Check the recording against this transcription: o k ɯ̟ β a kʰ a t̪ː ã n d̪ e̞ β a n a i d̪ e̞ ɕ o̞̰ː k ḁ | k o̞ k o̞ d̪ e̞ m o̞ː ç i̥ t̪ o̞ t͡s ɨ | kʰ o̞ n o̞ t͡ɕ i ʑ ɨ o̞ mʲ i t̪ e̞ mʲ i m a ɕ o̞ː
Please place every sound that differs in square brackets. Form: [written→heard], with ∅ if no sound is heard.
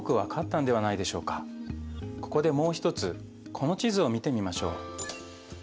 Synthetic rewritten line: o k ɯ̟ β a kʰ a t̪ː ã n d̪ e̞ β a n a i d̪ e̞ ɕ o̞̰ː k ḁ | k o̞ k o̞ d̪ e̞ m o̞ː ç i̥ t̪ o̞ t͡s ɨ | kʰ o̞ n o̞ t͡ɕ i [ʑ→z] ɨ o̞ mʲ i t̪ e̞ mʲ i m a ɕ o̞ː